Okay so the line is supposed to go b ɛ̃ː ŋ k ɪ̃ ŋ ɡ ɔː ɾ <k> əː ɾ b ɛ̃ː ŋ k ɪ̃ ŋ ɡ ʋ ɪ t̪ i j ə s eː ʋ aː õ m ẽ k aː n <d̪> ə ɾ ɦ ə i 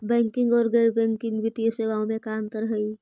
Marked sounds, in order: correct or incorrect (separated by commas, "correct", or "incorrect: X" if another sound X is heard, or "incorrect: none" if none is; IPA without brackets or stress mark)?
incorrect: ɡ, incorrect: t̪